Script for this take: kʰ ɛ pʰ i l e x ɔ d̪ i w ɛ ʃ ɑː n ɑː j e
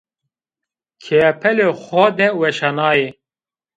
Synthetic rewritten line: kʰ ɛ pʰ ɛ l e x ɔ d̪ ɛ w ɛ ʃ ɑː n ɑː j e